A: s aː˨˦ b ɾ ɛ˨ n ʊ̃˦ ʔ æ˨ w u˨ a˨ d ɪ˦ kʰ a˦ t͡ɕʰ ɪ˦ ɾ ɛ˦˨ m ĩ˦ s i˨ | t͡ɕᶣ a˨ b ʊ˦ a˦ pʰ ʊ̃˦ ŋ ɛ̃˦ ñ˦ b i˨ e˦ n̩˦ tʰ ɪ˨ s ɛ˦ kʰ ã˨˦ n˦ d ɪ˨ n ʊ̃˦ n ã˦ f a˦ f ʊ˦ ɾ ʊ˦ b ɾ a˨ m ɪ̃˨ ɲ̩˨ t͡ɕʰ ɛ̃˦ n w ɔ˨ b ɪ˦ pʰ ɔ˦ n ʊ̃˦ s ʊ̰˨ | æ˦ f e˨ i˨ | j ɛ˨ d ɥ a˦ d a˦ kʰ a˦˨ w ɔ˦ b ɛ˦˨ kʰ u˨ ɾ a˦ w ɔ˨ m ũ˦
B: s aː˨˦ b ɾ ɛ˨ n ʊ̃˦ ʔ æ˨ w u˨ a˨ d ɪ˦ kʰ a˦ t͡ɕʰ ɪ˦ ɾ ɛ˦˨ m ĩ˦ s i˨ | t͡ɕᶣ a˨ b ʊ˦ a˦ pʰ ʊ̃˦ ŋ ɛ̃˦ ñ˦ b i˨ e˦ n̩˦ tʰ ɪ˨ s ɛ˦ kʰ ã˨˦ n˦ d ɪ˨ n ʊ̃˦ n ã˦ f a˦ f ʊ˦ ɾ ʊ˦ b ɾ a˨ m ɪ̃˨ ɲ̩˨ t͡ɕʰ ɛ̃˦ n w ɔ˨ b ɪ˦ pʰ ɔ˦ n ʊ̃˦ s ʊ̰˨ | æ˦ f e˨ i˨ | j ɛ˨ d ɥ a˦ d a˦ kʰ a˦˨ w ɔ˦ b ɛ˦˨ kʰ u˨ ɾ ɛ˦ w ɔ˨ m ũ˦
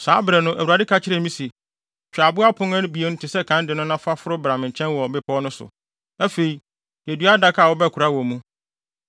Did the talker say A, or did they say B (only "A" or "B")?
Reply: A